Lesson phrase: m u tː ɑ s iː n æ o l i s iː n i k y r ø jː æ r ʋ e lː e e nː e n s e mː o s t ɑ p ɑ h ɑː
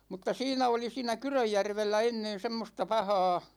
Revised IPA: m u tː ɑ s iː n æ o l i s iː n æ k y r ø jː æ r ʋ e lː æ e nː e n s e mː o s t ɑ p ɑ h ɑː